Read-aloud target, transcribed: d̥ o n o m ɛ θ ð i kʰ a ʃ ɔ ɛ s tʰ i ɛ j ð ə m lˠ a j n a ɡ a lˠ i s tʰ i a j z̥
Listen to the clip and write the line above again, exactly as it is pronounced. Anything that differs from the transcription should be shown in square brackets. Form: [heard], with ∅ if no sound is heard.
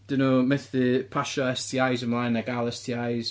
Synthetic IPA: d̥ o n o m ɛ θ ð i [pʰ] a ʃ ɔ ɛ s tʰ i [a] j [z] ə m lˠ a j n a ɡ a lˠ [ɛ] s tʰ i a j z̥